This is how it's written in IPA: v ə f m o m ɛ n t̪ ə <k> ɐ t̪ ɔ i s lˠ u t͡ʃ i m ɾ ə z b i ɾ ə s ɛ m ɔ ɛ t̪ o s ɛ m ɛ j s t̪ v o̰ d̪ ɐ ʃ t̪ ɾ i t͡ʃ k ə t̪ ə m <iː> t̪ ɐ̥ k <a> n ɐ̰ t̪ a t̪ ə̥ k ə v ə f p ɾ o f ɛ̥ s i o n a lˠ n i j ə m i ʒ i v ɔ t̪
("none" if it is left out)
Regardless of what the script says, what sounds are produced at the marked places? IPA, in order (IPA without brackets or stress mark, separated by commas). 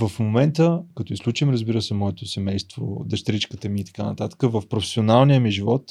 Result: k, iː, a